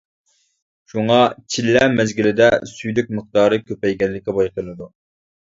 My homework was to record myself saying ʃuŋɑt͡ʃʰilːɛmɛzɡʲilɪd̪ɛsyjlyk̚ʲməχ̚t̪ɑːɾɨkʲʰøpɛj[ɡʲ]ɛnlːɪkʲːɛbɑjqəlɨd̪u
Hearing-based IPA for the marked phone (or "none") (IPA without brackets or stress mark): ɡʲ